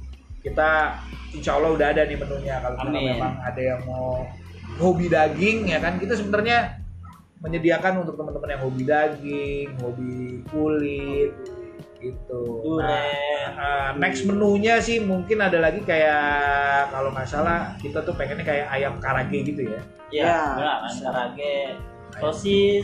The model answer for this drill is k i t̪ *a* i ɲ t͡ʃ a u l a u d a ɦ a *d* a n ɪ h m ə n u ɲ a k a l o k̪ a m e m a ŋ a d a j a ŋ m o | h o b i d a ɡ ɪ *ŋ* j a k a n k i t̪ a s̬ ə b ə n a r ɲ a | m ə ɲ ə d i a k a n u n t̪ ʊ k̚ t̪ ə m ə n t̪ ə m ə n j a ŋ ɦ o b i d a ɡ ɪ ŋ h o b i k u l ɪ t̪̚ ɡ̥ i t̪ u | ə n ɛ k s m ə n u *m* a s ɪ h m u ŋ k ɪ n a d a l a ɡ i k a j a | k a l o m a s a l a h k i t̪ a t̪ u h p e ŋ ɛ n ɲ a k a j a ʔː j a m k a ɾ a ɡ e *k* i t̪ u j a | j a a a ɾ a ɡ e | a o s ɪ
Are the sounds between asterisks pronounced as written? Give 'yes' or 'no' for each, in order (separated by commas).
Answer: yes, yes, yes, no, no